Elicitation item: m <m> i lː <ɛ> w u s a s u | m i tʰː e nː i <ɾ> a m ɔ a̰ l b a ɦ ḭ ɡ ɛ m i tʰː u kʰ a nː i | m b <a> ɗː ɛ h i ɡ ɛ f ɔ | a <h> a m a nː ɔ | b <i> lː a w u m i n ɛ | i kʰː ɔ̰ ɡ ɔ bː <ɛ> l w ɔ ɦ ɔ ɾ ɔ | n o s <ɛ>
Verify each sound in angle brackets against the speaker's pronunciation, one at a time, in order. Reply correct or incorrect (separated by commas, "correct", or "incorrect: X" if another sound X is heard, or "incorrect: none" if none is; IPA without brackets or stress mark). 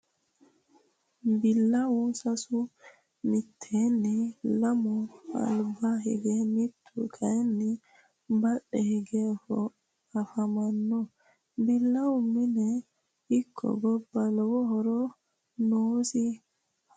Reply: incorrect: b, incorrect: a, incorrect: l, correct, incorrect: f, correct, incorrect: a, incorrect: i